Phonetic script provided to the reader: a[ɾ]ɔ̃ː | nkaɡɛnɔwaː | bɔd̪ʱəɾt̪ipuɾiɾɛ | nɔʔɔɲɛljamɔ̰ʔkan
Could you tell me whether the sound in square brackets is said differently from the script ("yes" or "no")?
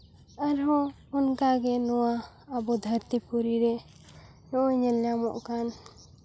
no